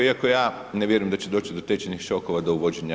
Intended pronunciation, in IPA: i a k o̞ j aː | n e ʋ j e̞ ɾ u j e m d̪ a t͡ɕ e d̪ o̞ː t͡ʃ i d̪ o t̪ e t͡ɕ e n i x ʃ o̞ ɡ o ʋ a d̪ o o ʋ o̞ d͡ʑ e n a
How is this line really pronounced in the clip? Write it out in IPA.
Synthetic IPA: i a k o̞ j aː | n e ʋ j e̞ ɾ u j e m d̪ a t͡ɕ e d̪ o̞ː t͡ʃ i d̪ o t̪ e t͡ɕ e n i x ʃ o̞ k o ʋ a d̪ o u ʋ o̞ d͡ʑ e ɲ a